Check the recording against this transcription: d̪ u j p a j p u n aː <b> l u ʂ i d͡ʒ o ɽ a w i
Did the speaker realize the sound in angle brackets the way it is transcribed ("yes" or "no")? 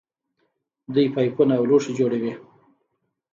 no